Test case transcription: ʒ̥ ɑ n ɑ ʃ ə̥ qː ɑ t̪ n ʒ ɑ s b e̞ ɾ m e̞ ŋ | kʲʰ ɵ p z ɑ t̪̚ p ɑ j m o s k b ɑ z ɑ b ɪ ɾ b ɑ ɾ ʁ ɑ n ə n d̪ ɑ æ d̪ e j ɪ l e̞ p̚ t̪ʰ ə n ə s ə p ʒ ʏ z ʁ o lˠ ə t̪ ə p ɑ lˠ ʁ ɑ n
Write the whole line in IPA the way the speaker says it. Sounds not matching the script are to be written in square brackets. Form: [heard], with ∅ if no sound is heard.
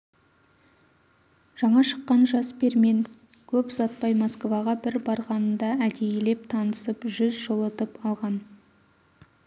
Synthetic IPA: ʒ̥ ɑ [ɴ] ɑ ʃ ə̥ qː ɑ [∅] n ʒ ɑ s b e̞ ɾ m e̞ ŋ | kʲʰ ɵ p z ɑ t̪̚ p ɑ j m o s k [v] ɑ [ʁ] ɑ b ɪ ɾ b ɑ ɾ ʁ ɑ n ə n d̪ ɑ æ d̪ e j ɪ l e̞ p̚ t̪ʰ [ɑ] n ə s ə p ʒ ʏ z [ʒ] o lˠ ə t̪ ə p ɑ lˠ ʁ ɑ n

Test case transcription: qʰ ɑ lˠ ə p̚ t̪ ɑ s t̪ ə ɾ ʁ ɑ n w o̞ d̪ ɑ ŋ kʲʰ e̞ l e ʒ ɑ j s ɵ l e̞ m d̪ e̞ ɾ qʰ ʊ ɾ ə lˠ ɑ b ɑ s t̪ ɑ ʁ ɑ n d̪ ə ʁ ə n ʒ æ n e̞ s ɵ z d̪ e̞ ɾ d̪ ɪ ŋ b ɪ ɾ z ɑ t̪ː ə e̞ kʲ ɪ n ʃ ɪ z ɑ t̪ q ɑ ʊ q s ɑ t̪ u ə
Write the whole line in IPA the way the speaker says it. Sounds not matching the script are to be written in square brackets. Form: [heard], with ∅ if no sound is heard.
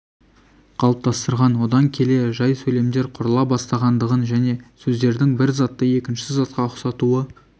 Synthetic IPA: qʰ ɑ lˠ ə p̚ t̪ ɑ s t̪ ə ɾ ʁ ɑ n w o̞ d̪ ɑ ŋ kʲʰ e̞ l e ʒ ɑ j s ɵ l e̞ m d̪ e̞ ɾ qʰ ʊ ɾ ə lˠ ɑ b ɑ s t̪ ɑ ʁ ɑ n d̪ ə ʁ ə n ʒ æ n e̞ s ɵ z d̪ e̞ ɾ d̪ ɪ ŋ b ɪ ɾ z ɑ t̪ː ə e̞ kʲ ɪ n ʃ ɪ z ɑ t̪ q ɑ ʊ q s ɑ t̪ u ə

